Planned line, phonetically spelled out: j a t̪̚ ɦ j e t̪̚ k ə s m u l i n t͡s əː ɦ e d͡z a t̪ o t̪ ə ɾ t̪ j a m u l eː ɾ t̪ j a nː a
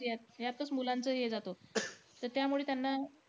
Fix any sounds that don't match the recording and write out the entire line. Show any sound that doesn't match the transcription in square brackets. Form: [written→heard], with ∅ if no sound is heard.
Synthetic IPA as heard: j a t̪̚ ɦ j [e→a] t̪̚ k ə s m u l [i→a] n t͡s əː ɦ e d͡z a t̪ o t̪ ə ɾ t̪ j a m u [l→ɭ] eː [ɾ→∅] t̪ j a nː a